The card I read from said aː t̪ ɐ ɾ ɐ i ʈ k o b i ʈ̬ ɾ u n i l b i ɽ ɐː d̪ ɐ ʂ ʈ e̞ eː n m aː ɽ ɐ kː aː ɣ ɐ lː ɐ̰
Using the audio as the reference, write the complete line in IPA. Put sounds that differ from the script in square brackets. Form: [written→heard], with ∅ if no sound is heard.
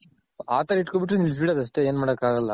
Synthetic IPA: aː t̪ ɐ ɾ ɐ i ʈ k o b i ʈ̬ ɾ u n i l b i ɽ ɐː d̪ ɐ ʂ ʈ e̞ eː n m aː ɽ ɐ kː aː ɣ ɐ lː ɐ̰